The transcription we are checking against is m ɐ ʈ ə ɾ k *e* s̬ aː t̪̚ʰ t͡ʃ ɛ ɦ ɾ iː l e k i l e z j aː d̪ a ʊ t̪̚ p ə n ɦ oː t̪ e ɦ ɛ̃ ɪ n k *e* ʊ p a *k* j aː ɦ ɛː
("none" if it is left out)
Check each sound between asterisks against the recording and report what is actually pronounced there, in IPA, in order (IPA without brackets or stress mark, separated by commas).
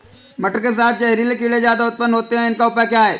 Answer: e, a, k